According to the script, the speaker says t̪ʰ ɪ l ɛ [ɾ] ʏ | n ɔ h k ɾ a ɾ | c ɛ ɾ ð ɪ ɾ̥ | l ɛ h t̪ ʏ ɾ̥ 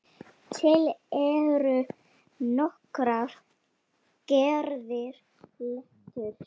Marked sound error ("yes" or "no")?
no